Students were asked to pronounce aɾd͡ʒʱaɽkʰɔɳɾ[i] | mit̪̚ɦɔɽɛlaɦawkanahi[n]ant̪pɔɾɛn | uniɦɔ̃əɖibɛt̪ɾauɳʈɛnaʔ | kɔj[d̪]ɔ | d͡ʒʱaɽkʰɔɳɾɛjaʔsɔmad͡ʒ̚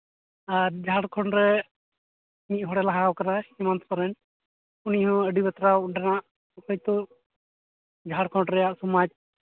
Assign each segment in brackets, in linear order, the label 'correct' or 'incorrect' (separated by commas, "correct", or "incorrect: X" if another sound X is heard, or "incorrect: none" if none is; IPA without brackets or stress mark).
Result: incorrect: ɛ, incorrect: m, incorrect: t̪